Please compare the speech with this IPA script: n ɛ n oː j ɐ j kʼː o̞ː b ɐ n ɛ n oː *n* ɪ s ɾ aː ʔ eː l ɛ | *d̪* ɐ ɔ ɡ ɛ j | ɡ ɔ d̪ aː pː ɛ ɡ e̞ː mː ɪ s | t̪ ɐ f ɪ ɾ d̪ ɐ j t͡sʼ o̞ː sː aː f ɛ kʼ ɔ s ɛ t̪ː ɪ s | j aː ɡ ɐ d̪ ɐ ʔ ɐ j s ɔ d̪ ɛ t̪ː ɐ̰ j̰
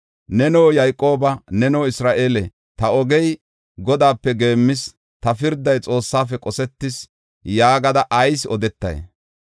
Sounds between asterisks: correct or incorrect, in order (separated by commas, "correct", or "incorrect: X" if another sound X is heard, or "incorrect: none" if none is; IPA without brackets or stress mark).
incorrect: none, incorrect: t̪